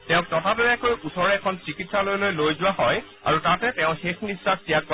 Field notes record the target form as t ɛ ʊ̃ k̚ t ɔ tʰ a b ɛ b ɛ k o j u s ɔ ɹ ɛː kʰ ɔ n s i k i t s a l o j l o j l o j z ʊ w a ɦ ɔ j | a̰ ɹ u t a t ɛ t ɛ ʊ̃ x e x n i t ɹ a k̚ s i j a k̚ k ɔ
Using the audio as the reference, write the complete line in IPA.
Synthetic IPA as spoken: t ɛ ʊ̃ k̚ t ɔ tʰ a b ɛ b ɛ k o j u s ɔ ɹ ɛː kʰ ɔ n s i k i t s a l o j l o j l o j z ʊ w a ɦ ɔ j | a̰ ɹ u t a t ɛ t ɛ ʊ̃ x e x n i s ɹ a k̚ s i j a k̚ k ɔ

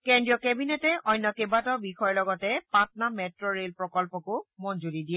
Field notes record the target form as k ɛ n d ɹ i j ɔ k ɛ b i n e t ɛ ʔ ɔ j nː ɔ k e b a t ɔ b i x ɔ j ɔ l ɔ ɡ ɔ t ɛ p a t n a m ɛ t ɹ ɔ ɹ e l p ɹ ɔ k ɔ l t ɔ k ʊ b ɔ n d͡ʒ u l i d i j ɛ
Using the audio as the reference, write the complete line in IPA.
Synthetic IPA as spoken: k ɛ n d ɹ i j ɔ k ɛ b i n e t ɛ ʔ ɔ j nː ɔ k e b a t ɔ b i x ɔ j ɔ l ɔ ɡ ɔ t ɛ p a t n a m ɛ t ɹ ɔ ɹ e l p ɹ ɔ k ɔ l p ɔ k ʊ m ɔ n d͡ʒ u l i d i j ɛ

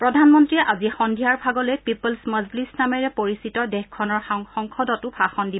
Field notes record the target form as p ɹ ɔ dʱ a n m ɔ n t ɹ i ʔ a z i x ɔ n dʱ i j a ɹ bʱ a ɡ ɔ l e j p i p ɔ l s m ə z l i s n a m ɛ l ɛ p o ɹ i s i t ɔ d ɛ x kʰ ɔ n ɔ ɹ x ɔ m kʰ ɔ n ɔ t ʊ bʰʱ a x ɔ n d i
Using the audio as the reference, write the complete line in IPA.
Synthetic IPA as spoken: p ɹ ɔ dʱ a n m ɔ n t ɹ i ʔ a z i x ɔ n dʱ i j a ɹ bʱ a ɡ ɔ l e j p i p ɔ l s m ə z l i s n a m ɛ ɹ ɛ p o ɹ i s i t ɔ d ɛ x kʰ ɔ n ɔ ɹ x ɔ ŋ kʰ ɔ d ɔ t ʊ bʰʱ a x ɔ n d i

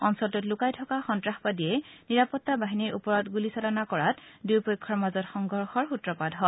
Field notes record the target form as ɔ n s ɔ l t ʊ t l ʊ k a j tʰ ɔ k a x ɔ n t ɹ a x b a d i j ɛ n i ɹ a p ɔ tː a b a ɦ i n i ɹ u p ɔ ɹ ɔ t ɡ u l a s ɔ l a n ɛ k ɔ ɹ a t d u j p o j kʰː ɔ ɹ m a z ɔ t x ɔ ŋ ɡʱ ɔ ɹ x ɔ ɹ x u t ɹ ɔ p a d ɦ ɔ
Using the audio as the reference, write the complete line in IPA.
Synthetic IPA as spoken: ɔ n s ɔ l t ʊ t l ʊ k a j tʰ ɔ k a x ɔ n t ɹ a x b a d i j ɛ n i ɹ a p ɔ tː a b a ɦ i n i ɹ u p ɔ ɹ ɔ t ɡ u l i s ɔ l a n a k ɔ ɹ a t d u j p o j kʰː ɔ ɹ m a z ɔ t x ɔ ŋ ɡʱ ɔ ɹ x ɔ ɹ x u t ɹ ɔ p a d ɦ ɔ

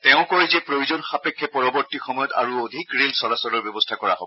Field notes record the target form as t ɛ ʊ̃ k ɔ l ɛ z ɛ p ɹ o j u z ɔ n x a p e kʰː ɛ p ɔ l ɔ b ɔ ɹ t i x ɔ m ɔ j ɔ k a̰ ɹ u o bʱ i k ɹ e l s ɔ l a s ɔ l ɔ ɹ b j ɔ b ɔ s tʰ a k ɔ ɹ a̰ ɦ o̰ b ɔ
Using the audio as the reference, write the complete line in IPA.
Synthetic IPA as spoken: t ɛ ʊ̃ k ɔ ɹ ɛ z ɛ p ɹ o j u z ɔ n x a p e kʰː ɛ p ɔ ɹ ɔ b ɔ ɹ t i x ɔ m ɔ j ɔ t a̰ ɹ u o dʱ i k ɹ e l s ɔ l a s ɔ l ɔ ɹ b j ɔ b ɔ s tʰ a k ɔ ɹ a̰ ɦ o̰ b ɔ

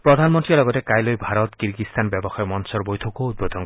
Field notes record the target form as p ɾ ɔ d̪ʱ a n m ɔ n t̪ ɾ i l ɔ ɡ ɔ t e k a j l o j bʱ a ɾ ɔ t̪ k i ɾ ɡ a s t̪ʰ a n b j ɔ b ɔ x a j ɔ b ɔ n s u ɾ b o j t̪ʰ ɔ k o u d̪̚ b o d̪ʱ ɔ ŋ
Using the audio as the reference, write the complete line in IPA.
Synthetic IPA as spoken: p ɾ ɔ d̪ʱ a n m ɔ n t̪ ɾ i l ɔ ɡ ɔ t e k a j l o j bʱ a ɾ ɔ t̪ k i ɾ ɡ i s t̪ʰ a n b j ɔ b ɔ x a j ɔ m ɔ n s ɔ ɾ b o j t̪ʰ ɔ k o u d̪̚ b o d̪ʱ ɔ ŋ

